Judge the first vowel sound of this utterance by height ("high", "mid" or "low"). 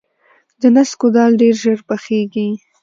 mid